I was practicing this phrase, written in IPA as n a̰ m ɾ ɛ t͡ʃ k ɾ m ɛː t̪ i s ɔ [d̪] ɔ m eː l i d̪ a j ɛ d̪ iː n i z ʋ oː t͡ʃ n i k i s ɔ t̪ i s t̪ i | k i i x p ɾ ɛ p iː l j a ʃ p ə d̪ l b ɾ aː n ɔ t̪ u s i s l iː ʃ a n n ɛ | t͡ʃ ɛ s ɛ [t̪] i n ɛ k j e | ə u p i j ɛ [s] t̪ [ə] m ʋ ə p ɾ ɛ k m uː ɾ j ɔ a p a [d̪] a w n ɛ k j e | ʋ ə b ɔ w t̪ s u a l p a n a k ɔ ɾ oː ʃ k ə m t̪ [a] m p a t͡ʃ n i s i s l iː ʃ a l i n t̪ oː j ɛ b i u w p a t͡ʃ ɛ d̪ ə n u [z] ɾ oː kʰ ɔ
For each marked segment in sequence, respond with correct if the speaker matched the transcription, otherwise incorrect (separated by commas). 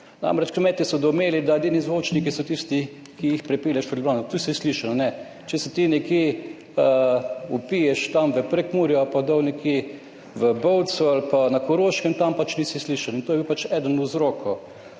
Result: correct, correct, incorrect, incorrect, correct, correct, correct